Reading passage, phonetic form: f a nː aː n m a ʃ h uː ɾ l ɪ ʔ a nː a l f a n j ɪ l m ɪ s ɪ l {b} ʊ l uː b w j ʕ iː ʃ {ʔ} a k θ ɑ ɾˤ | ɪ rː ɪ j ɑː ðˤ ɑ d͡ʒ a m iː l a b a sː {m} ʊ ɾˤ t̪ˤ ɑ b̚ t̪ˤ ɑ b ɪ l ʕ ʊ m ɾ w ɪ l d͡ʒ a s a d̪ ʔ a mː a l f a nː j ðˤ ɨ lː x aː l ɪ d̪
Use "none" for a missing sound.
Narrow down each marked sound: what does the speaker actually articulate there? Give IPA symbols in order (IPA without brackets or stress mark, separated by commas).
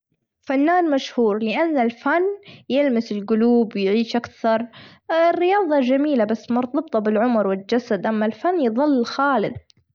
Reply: ɡ, ʔ, m